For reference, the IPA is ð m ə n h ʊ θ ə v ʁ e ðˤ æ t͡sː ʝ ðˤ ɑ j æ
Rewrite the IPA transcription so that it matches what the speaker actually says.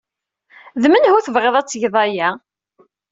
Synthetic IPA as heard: ð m ə n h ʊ θ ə v ʁ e ðˤ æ t͡sː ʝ ðˤ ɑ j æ